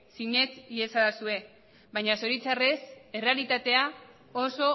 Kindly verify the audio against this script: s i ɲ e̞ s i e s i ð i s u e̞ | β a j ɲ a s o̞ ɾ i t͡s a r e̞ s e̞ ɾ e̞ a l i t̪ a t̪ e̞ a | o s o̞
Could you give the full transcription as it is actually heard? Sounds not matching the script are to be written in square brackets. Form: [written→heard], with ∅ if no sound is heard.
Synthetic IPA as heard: s i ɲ e̞ [s→t͡s] i e s [i→a] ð [i→a] s u e̞ | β a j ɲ a s o̞ ɾ i t͡s a r e̞ s e̞ [ɾ→r] e̞ a l i t̪ a t̪ e̞ a | o s o̞

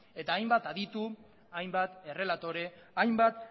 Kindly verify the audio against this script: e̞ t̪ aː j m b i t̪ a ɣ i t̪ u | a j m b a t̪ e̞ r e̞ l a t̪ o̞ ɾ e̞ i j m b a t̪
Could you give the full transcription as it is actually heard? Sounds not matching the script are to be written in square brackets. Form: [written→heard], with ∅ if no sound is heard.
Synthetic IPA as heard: e̞ t̪ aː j m b [i→a] t̪ a [ɣ→ð] i t̪ u | a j m b a t̪ e̞ r e̞ l a t̪ o̞ ɾ e̞ [i→a] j m b a t̪

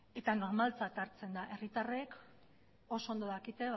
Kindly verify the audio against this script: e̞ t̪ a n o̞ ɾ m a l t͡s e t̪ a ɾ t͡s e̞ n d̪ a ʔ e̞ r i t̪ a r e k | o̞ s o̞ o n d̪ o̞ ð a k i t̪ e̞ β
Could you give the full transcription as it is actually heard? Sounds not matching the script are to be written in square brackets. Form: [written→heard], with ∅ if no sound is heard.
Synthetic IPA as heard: e̞ t̪ a n o̞ ɾ m a l t͡s [e→a] t̪ a ɾ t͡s e̞ n d̪ a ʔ e̞ r i t̪ a r e k | o̞ s o̞ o n d̪ o̞ ð a k i t̪ e̞ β

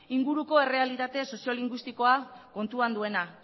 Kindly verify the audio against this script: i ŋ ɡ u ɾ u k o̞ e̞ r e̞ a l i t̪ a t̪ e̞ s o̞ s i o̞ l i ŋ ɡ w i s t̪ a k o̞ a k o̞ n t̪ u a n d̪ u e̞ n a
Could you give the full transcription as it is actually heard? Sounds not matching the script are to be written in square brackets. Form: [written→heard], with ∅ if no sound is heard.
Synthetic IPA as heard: i ŋ ɡ u ɾ u k o̞ e̞ r e̞ a l i t̪ a t̪ e̞ s o̞ s i o̞ l i ŋ ɡ w i s t̪ [a→i] k o̞ a k o̞ n t̪ u a n d̪ u e̞ n a

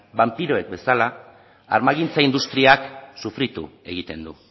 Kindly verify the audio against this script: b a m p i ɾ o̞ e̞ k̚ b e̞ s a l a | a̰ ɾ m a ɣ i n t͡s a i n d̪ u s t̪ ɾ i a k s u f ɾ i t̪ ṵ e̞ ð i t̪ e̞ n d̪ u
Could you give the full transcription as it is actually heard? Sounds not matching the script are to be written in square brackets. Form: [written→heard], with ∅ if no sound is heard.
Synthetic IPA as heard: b a m p i ɾ o̞ e̞ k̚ b e̞ s a l a | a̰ ɾ m a ɣ i n t͡s a i n d̪ u s t̪ ɾ i a k s u f ɾ i t̪ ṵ e̞ [ð→ɣ] i t̪ e̞ n d̪ u

